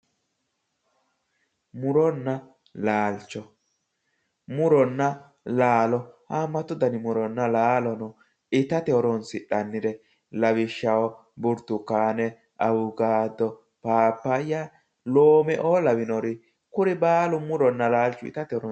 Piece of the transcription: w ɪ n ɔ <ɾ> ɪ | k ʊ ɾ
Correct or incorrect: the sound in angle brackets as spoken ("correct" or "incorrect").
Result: correct